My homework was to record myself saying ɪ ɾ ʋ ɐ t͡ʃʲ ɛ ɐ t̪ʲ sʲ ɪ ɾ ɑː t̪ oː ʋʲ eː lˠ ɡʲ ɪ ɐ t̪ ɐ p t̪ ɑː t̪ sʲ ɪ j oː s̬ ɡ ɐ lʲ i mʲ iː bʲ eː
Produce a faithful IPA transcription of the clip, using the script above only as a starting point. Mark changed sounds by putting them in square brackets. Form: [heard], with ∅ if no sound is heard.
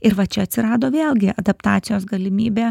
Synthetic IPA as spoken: ɪ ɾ ʋ ɐ t͡ʃʲ ɛ ɐ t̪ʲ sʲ ɪ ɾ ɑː [d̪] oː ʋʲ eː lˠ ɡʲ ɪ ɐ [d̪] ɐ p t̪ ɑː t̪ sʲ ɪ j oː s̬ ɡ ɐ lʲ [ɪ] mʲ iː bʲ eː